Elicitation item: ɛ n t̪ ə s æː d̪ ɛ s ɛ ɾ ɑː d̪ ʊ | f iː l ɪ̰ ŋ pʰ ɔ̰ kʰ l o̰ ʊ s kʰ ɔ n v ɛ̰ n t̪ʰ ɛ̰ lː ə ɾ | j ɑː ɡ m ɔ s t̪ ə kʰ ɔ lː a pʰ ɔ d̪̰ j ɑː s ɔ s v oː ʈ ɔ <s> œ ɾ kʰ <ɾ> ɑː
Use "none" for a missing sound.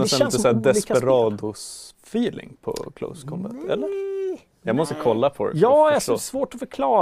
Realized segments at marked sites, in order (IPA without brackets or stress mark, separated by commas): f, l